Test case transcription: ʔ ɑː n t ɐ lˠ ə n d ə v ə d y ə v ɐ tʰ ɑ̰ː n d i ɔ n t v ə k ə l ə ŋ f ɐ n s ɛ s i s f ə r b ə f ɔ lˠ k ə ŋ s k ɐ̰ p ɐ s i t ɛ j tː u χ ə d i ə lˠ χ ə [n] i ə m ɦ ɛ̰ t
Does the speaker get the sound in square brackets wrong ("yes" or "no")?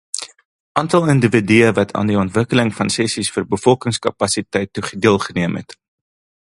no